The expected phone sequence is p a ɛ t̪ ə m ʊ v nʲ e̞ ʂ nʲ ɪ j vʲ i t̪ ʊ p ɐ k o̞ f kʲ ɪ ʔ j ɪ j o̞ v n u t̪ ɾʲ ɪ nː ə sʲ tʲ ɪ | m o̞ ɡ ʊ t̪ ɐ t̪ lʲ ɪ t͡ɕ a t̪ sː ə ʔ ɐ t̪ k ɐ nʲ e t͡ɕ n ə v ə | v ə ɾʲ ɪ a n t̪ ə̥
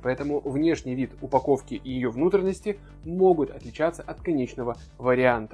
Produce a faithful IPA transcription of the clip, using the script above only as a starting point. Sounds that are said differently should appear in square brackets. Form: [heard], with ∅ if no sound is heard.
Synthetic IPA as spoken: p [ɐ] ɛ t̪ ə m ʊ v nʲ e̞ ʂ nʲ ɪ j vʲ i t̪ ʊ p ɐ k o̞ f kʲ ɪ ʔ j ɪ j o̞ v n u t̪ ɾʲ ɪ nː ə sʲ tʲ ɪ | m o̞ ɡ ʊ t̪ ɐ t̪ lʲ ɪ t͡ɕ a t̪ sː ə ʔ ɐ t̪ k ɐ nʲ e t͡ɕ n ə v ə | v ə ɾʲ ɪ a n t̪ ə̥